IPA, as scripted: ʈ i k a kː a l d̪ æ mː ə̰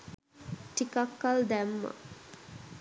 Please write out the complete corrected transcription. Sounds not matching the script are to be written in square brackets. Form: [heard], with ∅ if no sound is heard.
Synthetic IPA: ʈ i k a kː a l d̪ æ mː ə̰